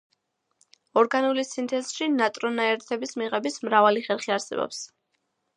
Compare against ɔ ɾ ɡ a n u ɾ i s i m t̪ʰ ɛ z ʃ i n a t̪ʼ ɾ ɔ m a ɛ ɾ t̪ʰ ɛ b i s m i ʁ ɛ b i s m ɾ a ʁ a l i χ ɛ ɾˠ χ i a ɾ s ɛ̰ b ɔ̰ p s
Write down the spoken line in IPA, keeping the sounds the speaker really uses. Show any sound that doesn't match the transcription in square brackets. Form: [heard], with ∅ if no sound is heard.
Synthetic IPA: ɔ ɾ ɡ a n u [l] i s i [n] t̪ʰ ɛ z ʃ i n a t̪ʼ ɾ ɔ [n] a ɛ ɾ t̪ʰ ɛ b i s m i ʁ ɛ b i s m ɾ a [v] a l i χ ɛ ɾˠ χ i a ɾ s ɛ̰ b ɔ̰ p s